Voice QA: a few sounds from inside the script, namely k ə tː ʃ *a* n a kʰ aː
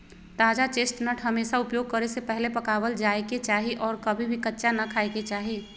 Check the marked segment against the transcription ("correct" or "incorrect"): correct